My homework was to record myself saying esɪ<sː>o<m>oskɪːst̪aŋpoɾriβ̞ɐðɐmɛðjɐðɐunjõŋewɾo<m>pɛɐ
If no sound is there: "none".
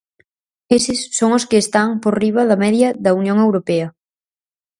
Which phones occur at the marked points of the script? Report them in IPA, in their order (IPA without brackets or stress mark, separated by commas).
sː, ŋ, none